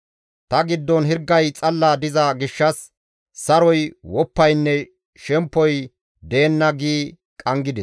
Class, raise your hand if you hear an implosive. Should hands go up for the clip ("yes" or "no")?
no